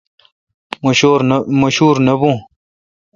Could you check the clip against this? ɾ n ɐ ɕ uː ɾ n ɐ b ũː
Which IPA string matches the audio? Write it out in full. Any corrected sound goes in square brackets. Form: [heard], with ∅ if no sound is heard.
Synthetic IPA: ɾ [m] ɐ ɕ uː ɾ n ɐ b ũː